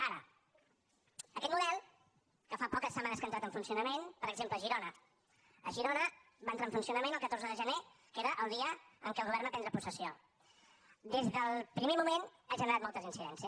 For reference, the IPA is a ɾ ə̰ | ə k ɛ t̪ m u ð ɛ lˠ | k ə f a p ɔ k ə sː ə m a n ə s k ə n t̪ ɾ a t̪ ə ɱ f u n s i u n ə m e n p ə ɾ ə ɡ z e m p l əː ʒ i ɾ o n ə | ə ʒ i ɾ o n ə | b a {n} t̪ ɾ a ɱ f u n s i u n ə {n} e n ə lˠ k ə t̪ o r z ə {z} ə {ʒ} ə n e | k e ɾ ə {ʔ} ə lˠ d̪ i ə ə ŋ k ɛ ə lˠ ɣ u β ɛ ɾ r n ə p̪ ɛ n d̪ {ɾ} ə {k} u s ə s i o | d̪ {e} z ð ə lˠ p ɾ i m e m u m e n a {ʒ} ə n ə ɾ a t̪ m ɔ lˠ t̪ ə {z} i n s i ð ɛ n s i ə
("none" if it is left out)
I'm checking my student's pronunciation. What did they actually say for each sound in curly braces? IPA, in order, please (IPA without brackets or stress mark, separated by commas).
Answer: n, m, ð, ʒ, ʔ, ɾ, p, e, ʒ, z